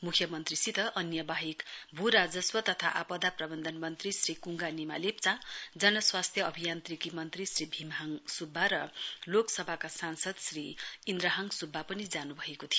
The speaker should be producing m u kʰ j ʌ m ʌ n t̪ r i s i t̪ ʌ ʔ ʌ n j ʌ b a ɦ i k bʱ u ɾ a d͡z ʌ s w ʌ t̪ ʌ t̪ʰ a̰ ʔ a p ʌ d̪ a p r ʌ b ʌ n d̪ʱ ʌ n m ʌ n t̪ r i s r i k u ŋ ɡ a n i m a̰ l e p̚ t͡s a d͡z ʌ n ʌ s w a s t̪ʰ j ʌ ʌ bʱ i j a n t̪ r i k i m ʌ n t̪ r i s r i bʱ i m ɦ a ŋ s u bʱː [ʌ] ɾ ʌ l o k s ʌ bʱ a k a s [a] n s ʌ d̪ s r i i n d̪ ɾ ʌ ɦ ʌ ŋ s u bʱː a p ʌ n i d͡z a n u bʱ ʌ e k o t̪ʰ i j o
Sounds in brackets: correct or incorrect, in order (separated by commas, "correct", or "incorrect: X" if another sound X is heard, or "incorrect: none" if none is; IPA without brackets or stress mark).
incorrect: a, correct